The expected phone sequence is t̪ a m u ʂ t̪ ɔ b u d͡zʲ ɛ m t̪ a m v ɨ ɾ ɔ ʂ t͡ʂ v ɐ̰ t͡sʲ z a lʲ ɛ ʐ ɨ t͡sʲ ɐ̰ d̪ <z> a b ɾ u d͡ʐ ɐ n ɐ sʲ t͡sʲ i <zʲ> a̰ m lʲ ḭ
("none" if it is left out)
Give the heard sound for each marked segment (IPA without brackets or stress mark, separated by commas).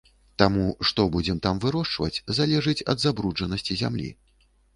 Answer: z, zʲ